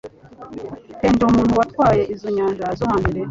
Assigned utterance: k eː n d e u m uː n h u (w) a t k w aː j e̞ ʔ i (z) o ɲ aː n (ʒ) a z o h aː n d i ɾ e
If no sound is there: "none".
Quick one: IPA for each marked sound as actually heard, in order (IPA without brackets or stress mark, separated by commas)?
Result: w, z, ʒ